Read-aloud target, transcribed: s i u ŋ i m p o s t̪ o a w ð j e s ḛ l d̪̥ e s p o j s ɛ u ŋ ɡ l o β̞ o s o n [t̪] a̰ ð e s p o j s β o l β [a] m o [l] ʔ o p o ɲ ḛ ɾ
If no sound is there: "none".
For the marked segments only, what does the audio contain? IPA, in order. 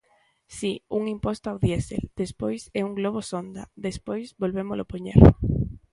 d̪, e, l

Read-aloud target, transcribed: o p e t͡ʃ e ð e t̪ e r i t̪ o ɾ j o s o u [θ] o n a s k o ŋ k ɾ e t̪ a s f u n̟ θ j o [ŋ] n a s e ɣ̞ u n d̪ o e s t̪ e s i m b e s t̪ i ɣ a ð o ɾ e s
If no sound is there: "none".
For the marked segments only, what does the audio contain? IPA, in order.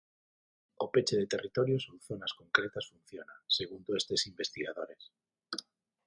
θ, none

